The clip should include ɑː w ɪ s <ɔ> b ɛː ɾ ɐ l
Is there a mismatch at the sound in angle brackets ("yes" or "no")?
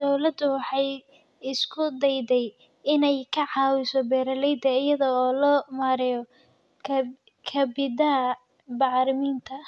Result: no